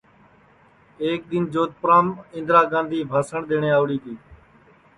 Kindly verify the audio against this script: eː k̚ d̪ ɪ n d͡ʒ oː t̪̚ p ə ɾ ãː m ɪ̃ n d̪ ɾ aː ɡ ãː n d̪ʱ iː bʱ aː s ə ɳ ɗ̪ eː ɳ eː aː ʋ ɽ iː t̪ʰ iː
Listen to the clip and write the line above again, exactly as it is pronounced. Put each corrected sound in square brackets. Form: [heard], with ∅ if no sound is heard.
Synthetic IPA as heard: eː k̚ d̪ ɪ n d͡ʒ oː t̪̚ p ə ɾ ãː m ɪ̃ n d̪ ɾ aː ɡ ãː n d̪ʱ iː bʱ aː s ə ɳ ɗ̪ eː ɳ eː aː ʋ ɽ iː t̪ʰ iː